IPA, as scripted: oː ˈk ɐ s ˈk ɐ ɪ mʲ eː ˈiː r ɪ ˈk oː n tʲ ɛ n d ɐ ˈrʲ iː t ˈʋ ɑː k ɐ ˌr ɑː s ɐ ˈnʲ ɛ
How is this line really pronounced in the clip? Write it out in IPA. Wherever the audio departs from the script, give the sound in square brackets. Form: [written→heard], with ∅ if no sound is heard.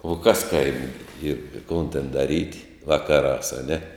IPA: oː ˈk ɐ s ˈk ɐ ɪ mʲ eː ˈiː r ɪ ˈk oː n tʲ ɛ n d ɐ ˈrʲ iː t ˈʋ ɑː k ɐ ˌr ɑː s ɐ ˈnʲ ɛ